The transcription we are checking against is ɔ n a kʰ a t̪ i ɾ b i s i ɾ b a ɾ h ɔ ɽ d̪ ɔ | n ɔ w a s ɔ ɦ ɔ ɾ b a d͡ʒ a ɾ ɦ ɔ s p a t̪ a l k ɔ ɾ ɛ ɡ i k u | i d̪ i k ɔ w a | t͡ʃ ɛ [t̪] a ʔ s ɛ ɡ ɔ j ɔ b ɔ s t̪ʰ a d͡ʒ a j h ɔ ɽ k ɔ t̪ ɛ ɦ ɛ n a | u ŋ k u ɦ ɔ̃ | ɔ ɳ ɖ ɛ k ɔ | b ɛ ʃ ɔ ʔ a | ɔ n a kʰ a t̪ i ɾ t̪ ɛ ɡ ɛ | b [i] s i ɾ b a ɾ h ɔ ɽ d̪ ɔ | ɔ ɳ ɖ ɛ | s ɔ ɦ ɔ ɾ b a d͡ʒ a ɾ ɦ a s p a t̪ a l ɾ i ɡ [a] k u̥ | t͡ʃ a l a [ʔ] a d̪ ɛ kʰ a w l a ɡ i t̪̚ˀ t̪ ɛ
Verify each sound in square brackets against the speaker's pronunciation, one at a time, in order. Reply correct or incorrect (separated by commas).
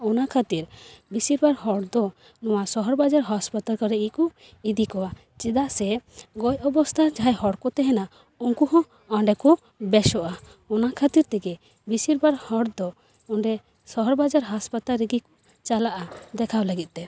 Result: incorrect, correct, incorrect, correct